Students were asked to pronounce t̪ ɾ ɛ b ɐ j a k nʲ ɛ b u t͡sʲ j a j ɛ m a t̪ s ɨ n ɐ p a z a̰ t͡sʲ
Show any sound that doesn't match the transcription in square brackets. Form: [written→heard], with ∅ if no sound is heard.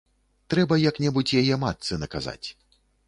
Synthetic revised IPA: t̪ ɾ ɛ b ɐ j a k nʲ ɛ b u t͡sʲ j a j ɛ m a t̪ s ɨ n ɐ [p→k] a z a̰ t͡sʲ